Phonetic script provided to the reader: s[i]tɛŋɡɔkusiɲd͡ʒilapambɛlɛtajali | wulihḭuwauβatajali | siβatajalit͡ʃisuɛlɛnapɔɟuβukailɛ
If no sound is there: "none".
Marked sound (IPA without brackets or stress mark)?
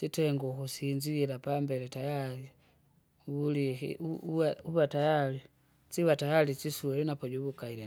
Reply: i